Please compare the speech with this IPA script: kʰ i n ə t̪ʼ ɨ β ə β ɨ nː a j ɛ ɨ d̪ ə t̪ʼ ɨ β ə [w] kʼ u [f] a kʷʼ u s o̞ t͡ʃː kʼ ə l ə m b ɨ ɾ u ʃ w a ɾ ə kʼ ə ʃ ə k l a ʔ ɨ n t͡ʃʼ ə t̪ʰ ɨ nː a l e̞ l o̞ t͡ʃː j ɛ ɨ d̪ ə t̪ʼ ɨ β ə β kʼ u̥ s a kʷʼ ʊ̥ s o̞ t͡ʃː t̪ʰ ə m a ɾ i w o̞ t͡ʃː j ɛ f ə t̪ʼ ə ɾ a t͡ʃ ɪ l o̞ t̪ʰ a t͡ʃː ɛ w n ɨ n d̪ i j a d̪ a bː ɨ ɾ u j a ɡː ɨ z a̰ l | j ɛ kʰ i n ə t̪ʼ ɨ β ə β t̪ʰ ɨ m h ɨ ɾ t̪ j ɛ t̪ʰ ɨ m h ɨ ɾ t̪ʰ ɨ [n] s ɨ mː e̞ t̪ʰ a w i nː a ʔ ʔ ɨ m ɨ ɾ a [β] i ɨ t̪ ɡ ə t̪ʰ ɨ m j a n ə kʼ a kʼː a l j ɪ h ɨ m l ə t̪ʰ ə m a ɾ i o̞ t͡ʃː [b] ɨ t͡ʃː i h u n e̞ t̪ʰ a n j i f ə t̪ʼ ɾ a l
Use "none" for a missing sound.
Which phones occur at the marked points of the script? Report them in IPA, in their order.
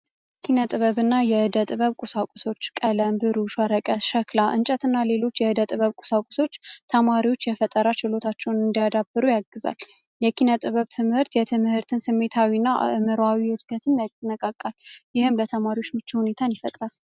β, s, n, w, m

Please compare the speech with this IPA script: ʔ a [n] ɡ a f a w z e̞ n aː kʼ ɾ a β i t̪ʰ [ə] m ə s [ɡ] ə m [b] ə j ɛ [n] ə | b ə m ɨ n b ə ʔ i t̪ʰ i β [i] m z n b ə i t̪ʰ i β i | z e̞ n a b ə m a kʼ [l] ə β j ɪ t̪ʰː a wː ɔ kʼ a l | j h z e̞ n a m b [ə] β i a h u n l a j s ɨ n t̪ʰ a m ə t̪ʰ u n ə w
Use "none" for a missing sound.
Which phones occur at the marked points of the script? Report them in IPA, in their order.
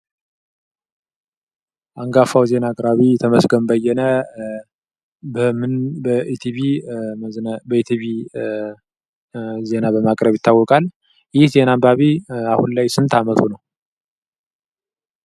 ŋ, ə, ɡ, b, n, i, ɾ, a

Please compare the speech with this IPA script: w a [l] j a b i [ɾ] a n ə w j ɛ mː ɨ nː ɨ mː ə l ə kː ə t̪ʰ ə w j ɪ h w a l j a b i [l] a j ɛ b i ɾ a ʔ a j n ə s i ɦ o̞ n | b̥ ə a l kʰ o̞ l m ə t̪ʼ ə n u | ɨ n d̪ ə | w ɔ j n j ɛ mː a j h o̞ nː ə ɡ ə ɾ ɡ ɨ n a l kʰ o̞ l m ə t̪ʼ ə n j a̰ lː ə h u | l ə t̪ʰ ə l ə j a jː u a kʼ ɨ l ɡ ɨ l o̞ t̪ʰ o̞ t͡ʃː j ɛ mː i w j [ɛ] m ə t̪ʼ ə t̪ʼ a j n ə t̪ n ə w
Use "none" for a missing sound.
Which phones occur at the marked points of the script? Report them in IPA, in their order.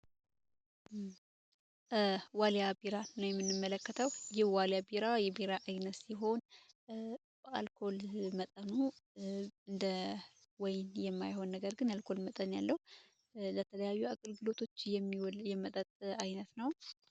l, ɾ, ɾ, ɛ

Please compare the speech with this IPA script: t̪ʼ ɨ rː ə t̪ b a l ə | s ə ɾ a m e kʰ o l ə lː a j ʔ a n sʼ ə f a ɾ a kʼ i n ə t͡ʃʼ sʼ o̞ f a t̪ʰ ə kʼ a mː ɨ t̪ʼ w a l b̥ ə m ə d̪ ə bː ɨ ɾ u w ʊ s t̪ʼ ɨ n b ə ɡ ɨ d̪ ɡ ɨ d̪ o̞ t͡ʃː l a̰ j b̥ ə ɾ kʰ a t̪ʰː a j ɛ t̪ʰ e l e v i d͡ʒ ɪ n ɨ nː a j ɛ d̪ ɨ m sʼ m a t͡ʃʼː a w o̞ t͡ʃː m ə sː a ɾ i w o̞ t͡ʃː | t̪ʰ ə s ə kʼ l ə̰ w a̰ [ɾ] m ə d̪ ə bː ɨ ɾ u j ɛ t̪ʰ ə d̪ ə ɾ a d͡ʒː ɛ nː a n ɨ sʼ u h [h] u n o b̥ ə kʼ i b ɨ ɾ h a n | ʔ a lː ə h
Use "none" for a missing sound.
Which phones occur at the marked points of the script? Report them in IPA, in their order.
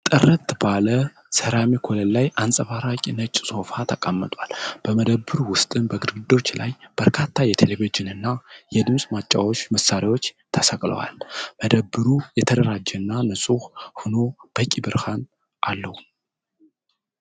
l, h

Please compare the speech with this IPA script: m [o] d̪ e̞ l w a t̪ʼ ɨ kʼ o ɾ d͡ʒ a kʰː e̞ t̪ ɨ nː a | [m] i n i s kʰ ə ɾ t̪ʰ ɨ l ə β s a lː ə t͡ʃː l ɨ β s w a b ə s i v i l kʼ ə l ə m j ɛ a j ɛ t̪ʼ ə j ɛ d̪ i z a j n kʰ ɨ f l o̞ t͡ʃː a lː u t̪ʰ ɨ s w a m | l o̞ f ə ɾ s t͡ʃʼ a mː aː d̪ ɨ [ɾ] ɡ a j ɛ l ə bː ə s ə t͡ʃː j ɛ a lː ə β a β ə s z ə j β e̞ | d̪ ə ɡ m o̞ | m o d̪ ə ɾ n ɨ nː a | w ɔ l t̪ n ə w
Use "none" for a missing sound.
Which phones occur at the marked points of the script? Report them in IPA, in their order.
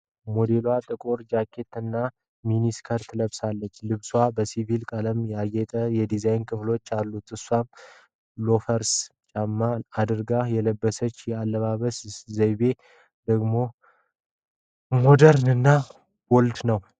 o, m, ɾ

